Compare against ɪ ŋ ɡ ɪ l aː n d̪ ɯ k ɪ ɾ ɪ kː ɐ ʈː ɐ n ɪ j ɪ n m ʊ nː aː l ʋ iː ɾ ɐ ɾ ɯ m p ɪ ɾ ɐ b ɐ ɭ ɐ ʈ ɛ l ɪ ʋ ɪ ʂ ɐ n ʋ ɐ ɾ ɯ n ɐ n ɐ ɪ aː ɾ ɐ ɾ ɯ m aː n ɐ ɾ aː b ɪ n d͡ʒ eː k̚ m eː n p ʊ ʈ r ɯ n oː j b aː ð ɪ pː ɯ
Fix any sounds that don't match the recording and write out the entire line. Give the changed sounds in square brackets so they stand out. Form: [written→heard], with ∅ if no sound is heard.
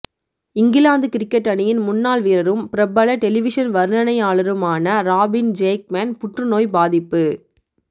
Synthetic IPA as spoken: ɪ ŋ ɡ ɪ l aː n d̪ ɯ k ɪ ɾ ɪ kː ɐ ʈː ɐ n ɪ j ɪ n m ʊ nː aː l ʋ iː ɾ ɐ ɾ ɯ m p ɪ ɾ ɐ b ɐ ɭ ɐ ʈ ɛ l ɪ ʋ ɪ ʂ ɐ n ʋ ɐ ɾ ɯ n ɐ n ɐ ɪ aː [ɾ→ɭ] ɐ ɾ ɯ m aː n ɐ ɾ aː b ɪ n d͡ʒ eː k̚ m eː n p ʊ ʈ r ɯ n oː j b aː ð ɪ pː ɯ